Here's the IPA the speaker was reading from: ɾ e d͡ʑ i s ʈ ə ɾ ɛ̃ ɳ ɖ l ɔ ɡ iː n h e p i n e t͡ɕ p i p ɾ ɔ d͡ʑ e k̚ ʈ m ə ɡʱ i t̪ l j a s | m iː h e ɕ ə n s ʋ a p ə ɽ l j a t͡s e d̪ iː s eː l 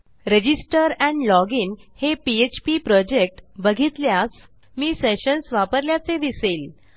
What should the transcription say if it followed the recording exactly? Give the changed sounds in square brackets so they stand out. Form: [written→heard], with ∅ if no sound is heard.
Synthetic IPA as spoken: ɾ e d͡ʑ i s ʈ ə ɾ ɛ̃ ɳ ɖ l ɔ ɡ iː n h e p i [n→∅] e t͡ɕ p i p ɾ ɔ d͡ʑ e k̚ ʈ [m→b] ə ɡʱ i t̪ l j a s | m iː [h→s] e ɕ ə n s ʋ a p ə [ɽ→ɾ] l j a t͡s e d̪ [iː→i] s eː l